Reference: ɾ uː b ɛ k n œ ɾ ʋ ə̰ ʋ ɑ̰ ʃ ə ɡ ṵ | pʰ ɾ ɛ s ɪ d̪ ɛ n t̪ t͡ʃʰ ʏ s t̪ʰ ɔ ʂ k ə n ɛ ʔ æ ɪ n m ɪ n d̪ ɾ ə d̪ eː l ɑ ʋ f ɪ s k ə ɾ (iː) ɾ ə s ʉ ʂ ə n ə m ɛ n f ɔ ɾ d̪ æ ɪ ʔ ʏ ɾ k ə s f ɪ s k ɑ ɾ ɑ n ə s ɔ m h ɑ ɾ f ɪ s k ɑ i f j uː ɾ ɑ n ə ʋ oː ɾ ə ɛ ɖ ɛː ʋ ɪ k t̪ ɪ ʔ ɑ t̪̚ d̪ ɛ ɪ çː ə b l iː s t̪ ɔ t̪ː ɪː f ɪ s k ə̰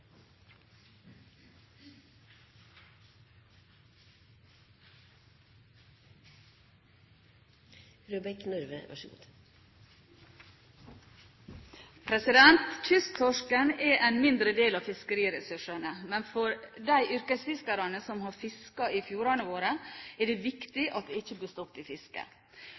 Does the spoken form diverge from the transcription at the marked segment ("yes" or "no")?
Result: no